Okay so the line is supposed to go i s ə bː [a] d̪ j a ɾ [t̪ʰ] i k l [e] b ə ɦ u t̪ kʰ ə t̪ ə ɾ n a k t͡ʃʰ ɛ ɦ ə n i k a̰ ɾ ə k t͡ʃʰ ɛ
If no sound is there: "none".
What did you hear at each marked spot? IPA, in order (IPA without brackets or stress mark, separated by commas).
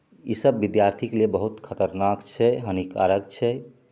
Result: i, t̪ʰ, e